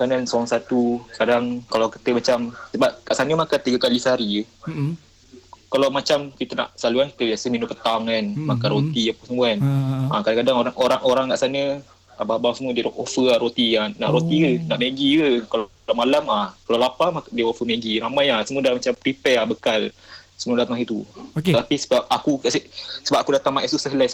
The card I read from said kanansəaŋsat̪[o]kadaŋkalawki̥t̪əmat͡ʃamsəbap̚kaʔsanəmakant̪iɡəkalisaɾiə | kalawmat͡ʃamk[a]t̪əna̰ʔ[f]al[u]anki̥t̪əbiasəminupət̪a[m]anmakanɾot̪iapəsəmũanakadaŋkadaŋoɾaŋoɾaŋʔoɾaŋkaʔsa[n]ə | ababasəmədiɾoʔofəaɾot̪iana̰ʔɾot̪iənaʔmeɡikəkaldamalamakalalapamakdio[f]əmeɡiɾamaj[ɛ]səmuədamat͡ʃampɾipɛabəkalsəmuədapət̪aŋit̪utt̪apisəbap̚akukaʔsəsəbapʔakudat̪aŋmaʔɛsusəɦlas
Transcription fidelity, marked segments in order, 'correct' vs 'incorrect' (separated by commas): incorrect, incorrect, incorrect, correct, incorrect, correct, correct, incorrect